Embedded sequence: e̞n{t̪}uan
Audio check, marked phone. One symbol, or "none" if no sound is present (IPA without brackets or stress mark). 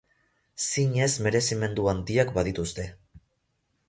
d̪